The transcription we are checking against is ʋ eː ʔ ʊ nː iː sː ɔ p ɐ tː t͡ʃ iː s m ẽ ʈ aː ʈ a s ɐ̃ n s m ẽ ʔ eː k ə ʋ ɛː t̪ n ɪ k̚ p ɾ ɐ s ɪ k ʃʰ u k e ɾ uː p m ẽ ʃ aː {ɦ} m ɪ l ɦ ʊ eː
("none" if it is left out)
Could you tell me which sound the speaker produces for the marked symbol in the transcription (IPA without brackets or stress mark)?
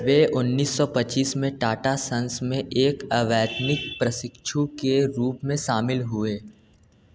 none